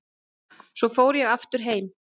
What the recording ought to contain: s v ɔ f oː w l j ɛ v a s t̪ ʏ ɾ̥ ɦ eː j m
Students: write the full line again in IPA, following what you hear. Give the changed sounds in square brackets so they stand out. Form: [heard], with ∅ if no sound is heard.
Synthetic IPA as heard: s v ɔ f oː w [ɾ] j ɛ [ɣ] a [f] t̪ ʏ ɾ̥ ɦ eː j m